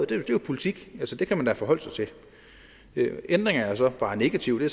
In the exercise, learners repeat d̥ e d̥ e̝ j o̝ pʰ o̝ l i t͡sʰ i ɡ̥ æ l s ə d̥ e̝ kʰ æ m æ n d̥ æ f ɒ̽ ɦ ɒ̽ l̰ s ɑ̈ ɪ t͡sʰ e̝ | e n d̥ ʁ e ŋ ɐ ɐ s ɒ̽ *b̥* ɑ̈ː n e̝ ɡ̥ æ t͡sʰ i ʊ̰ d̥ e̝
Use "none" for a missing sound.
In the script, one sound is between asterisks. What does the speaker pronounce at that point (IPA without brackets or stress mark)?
b̥